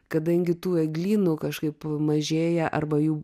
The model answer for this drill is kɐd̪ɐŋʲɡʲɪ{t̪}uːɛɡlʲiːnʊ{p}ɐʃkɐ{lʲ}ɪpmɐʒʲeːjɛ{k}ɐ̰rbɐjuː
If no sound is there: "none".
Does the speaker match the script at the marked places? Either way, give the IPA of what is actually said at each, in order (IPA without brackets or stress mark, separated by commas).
t̪, k, none, ʔ